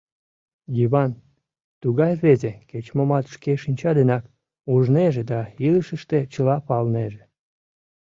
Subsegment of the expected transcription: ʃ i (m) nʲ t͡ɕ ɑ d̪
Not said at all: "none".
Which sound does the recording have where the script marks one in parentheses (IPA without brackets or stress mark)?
none